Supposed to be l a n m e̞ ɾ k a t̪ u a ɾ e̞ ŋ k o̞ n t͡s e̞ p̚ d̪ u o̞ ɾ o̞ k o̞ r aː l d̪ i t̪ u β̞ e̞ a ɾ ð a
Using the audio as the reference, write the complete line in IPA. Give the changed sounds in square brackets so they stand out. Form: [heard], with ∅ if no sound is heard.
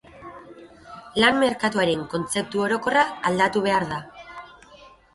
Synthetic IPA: l a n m e̞ ɾ k a t̪ u a ɾ e̞ ŋ k o̞ n t͡s e̞ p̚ [t̪] u o̞ ɾ o̞ k o̞ r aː l d̪ [a] t̪ u β̞ e̞ a ɾ ð a